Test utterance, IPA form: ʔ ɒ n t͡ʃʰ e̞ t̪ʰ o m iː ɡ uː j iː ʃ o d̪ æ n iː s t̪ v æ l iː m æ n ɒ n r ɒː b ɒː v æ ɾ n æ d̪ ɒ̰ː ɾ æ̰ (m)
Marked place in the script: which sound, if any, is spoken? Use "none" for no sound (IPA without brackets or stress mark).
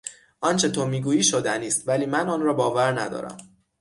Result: m